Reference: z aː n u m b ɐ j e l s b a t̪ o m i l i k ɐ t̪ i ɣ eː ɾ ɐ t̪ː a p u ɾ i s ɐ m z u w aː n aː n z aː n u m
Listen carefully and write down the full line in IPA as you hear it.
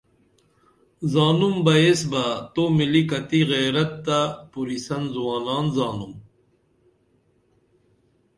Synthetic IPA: z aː n u m b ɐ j e s b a t̪ o m i l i k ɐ t̪ i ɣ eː ɾ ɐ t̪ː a p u ɾ i s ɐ n z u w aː n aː n z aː n u m